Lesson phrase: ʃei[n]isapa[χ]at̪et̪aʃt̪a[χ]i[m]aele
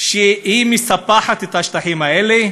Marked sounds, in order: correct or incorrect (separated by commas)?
incorrect, incorrect, incorrect, correct